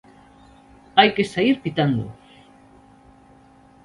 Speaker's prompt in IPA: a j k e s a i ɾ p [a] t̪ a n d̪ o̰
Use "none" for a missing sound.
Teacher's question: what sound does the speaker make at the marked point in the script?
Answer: i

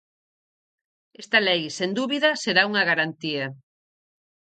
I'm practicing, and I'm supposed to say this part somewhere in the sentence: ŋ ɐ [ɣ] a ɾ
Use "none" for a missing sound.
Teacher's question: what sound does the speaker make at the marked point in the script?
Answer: ɣ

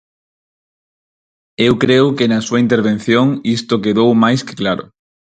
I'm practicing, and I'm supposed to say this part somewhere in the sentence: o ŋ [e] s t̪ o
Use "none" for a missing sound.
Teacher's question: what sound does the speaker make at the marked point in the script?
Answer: i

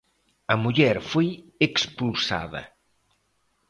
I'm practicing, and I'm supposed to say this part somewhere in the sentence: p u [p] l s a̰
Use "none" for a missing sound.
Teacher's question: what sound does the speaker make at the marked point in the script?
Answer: none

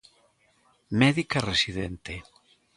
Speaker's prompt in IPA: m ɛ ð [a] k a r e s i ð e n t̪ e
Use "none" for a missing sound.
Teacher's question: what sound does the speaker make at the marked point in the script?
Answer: i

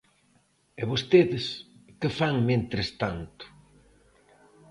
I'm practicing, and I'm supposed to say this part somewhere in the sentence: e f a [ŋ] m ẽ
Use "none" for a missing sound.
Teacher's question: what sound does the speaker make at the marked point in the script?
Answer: ŋ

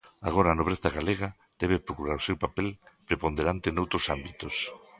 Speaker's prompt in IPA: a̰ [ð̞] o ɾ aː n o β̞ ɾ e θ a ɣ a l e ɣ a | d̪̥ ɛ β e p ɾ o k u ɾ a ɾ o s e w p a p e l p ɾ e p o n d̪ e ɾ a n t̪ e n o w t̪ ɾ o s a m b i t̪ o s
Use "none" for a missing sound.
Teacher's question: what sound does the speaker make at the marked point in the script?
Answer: ɣ̞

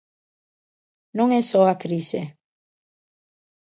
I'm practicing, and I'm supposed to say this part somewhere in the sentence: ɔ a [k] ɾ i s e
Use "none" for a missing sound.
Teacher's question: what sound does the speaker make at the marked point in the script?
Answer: k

